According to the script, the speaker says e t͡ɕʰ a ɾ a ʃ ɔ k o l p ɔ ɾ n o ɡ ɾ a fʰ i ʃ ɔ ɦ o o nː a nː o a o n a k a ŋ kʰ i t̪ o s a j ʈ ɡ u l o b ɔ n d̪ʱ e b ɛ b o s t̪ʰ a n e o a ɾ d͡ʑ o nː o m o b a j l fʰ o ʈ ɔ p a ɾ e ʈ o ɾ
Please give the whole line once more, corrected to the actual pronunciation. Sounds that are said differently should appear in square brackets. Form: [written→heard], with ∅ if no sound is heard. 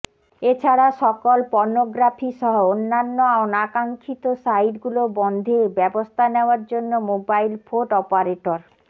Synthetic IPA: e t͡ɕʰ a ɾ a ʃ ɔ k o l p ɔ ɾ n o ɡ ɾ a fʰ i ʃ ɔ ɦ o o nː a nː o a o n a k a ŋ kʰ i t̪ o s a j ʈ ɡ u l o b ɔ n d̪ʱ e b ɛ b o s t̪ʰ a n e o a ɾ d͡ʑ o nː o m o b a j l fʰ o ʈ ɔ p a ɾ e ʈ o ɾ